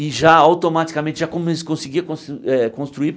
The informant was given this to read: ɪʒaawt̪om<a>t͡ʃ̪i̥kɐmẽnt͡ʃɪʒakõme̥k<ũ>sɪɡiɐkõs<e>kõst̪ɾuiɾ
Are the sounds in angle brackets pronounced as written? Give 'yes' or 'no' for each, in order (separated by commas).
yes, no, no